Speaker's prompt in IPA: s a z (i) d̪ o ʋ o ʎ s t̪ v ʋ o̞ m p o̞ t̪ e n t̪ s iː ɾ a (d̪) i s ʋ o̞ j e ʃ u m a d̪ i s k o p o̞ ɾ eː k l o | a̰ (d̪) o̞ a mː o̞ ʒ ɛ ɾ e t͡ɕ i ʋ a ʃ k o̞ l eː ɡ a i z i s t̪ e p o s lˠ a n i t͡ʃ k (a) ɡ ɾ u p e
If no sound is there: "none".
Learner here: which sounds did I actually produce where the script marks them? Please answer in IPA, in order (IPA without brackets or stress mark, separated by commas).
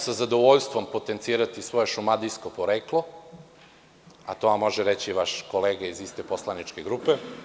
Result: a, t̪, t̪, e